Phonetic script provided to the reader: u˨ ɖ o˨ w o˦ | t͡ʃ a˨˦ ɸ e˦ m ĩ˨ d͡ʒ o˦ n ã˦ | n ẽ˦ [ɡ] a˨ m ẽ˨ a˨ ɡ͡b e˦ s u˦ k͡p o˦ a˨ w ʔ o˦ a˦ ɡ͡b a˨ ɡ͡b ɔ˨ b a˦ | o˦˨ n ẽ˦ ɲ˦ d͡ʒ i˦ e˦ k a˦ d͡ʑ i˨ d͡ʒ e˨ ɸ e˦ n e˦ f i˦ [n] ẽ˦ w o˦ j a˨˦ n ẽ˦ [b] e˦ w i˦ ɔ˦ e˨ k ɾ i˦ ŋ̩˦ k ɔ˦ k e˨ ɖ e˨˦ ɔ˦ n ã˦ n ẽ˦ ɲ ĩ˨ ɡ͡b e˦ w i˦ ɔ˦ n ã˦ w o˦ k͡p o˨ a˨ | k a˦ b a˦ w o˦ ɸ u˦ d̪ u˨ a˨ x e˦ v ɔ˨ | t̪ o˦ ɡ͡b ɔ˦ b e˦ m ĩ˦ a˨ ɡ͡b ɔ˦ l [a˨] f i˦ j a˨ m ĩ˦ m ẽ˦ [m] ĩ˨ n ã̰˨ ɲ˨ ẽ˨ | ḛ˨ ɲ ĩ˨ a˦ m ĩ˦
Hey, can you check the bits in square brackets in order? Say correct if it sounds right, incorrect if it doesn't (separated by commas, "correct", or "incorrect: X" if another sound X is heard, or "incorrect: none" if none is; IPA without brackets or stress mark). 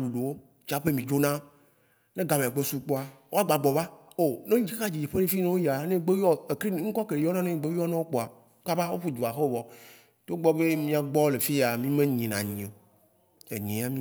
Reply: correct, correct, incorrect: ɡ͡b, incorrect: e˨, incorrect: ɲ